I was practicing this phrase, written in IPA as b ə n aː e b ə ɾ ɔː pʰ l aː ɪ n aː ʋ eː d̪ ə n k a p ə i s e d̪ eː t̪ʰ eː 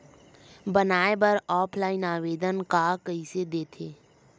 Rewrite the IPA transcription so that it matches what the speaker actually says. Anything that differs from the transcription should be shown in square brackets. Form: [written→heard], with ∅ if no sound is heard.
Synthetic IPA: b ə n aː e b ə ɾ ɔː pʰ l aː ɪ n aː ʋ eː d̪ ə n k a [p→k] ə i s e d̪ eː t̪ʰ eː

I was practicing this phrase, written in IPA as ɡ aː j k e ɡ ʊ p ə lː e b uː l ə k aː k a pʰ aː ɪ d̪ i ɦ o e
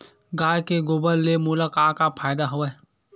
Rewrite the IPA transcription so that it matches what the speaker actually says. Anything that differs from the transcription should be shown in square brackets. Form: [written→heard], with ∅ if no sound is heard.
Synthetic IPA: ɡ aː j k e ɡ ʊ [p→b] ə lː e [b→m] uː l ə k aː k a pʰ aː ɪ d̪ [i→a] ɦ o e

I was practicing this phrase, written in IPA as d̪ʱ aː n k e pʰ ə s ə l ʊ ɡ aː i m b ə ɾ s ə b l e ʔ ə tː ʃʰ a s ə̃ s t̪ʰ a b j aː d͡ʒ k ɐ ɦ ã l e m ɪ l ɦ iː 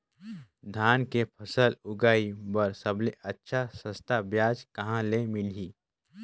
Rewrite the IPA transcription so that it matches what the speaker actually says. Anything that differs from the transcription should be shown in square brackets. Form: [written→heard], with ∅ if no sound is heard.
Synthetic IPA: d̪ʱ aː n k e pʰ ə s ə l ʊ ɡ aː i [m→∅] b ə ɾ s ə b l e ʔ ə tː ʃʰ a s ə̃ s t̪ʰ a b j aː d͡ʒ k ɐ ɦ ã l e m ɪ l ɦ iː

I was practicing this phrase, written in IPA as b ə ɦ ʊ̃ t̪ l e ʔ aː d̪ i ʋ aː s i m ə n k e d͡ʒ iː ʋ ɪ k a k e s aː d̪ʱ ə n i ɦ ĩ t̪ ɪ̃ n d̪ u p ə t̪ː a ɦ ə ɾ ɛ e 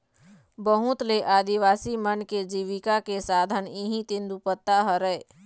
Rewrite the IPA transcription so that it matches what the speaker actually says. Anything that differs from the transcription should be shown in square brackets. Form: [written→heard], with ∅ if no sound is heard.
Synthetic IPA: b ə ɦ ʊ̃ t̪ l e ʔ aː d̪ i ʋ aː s i m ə n k e d͡ʒ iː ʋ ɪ k a k e s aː d̪ʱ ə n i ɦ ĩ t̪ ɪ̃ n d̪ u p ə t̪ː a ɦ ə ɾ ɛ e

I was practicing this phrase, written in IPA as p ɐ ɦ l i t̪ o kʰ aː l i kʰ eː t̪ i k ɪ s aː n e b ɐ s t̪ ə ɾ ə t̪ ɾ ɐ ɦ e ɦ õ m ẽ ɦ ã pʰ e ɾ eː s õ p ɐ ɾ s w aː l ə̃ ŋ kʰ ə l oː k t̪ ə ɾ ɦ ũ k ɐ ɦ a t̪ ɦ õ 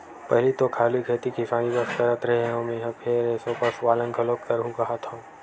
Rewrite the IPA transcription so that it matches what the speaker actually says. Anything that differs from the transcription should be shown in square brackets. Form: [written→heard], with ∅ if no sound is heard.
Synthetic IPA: p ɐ ɦ l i t̪ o kʰ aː l i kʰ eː t̪ i k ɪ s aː n [e→i] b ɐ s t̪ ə ɾ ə t̪ ɾ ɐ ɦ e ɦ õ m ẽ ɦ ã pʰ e ɾ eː s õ p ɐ ɾ s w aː l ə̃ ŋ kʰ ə l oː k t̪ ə ɾ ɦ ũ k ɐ ɦ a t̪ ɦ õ

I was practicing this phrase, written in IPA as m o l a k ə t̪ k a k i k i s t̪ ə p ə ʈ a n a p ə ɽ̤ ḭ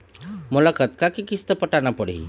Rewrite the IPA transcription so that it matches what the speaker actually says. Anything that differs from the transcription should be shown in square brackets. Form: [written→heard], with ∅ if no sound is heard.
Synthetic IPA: m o l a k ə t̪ k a k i k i s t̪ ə p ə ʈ a n a p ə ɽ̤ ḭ

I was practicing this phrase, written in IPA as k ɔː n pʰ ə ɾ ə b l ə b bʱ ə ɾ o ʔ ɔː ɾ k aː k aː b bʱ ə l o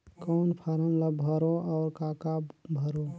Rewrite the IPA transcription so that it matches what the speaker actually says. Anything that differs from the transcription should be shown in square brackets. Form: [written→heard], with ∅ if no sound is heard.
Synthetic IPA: k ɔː n pʰ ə ɾ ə [b→m] l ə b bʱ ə ɾ o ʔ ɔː ɾ k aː k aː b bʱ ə [l→ɾ] o

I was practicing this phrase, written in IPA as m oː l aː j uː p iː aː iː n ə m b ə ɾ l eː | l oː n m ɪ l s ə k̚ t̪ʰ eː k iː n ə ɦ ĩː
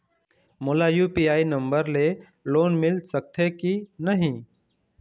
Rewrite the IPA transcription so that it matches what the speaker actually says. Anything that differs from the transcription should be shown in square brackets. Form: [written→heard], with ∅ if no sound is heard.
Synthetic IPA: m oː l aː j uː p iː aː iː n ə m b ə ɾ l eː | l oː n m ɪ l s ə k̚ t̪ʰ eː k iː n ə ɦ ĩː

